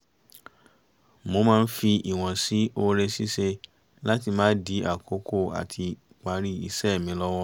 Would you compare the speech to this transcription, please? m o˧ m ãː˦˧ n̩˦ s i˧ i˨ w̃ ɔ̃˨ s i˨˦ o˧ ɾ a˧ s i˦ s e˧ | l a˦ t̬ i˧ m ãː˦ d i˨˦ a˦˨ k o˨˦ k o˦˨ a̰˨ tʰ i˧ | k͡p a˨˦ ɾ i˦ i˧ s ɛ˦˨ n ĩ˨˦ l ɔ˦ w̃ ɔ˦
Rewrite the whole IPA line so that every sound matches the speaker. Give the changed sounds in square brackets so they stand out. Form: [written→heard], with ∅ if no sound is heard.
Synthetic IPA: m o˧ m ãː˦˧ n̩˦ [s→f] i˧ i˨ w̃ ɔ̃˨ s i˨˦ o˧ ɾ [a˧→e˧] s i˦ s e˧ | l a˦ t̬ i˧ m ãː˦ d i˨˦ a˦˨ k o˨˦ k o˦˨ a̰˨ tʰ i˧ | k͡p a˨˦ ɾ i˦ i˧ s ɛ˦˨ [n→m] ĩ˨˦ l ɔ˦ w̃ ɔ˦